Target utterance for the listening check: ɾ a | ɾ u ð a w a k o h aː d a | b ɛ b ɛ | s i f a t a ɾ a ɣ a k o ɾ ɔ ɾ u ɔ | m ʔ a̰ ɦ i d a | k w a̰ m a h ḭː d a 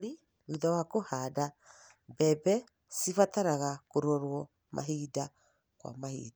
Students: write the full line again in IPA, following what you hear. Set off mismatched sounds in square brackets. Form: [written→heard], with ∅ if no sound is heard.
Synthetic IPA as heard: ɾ [a→i] | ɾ u ð a w a k o h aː d a | b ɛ b ɛ | s i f a t a ɾ a ɣ a k o ɾ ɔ ɾ [u→w] ɔ | m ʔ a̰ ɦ i d a | k w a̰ m a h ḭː d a